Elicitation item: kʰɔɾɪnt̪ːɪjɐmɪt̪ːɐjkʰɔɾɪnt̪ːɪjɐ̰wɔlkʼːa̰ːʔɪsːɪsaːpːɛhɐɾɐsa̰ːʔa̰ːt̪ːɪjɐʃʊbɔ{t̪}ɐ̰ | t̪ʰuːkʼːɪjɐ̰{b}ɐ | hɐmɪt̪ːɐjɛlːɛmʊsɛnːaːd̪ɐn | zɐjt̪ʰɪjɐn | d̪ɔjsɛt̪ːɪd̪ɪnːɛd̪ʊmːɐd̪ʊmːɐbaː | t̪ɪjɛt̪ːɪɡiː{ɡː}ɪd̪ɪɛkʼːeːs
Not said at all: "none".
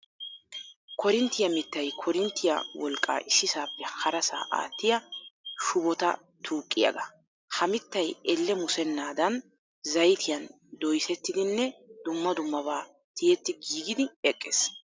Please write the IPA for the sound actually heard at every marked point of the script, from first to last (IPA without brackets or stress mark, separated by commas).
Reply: t̪, ɡ, ɡ